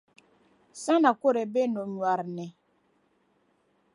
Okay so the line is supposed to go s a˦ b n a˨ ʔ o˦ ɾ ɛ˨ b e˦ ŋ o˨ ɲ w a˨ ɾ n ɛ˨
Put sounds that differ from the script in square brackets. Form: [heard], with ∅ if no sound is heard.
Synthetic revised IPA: s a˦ [∅] n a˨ [k] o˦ ɾ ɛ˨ b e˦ [n] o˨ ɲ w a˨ ɾ n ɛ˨